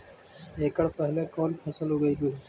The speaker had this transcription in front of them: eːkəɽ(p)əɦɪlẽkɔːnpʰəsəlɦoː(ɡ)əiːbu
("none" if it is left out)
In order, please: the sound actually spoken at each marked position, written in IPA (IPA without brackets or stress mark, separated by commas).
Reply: p, ɡ